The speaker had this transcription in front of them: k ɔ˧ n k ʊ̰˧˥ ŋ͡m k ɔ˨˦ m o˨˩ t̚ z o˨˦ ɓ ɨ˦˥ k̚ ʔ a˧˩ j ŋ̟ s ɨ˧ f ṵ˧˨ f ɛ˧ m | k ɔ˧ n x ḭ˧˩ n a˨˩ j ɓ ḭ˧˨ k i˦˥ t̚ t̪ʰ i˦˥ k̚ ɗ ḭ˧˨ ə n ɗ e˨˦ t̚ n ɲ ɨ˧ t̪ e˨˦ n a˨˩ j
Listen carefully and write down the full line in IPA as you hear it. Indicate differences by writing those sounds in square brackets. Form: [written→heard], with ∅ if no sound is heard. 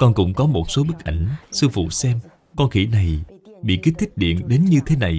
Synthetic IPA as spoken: k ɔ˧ n k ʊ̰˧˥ ŋ͡m k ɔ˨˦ m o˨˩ t̚ [z→s] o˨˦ ɓ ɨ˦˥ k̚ ʔ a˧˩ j ŋ̟ s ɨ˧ f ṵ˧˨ [f→s] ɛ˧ m | k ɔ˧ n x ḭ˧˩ n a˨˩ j ɓ ḭ˧˨ k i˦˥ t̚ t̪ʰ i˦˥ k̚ ɗ ḭ˧˨ ə n ɗ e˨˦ [t̚→∅] n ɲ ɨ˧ [t̪→t̪ʰ] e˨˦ n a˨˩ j